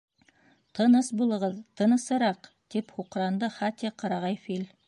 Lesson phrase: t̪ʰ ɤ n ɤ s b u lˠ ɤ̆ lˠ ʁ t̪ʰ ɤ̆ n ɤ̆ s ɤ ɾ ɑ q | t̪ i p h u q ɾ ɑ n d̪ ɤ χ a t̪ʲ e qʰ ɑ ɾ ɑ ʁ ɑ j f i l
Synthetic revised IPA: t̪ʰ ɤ n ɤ s b u lˠ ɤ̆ ʁ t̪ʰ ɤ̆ n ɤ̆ s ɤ ɾ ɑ q | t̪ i p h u q ɾ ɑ n d̪ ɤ χ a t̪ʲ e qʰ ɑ ɾ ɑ ʁ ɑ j f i l